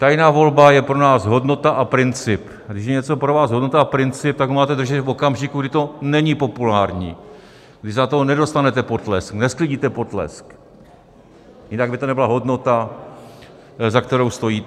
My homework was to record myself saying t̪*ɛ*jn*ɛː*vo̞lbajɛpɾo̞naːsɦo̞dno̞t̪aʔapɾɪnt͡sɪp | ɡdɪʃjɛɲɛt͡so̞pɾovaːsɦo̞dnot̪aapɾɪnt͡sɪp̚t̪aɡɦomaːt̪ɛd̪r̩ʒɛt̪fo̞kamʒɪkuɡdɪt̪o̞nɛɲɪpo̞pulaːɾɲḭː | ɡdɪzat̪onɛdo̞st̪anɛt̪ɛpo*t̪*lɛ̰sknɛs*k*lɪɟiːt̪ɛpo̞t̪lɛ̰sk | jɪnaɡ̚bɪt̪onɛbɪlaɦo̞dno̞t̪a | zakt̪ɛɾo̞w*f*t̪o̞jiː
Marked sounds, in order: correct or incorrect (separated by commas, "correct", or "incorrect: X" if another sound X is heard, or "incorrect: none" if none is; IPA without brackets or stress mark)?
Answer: incorrect: a, incorrect: aː, correct, correct, incorrect: s